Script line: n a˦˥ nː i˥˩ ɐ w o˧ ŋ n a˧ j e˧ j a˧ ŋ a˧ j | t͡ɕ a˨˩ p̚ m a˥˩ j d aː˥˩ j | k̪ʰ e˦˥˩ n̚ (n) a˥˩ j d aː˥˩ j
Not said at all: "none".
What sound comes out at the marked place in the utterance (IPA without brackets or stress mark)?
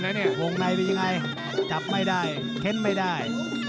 m